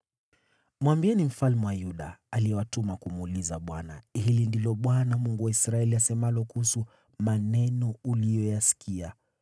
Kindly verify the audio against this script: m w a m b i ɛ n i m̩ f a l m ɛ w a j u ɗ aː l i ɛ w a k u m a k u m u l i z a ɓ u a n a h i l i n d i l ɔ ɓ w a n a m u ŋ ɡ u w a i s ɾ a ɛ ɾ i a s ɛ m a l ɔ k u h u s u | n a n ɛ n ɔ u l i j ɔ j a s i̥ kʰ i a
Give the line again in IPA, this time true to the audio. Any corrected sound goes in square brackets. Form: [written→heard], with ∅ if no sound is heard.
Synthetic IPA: m w a m b i ɛ n i m̩ f a l m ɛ w a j u ɗ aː l i ɛ w a [k→t] u m a k u m u l i z a ɓ [u→w] a n a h i l i n d i l ɔ ɓ w a n a m u ŋ ɡ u w a i s ɾ a ɛ [ɾ→l] i a s ɛ m a l ɔ k u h u s u | [n→m] a n ɛ n ɔ u l i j ɔ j a s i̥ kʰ i a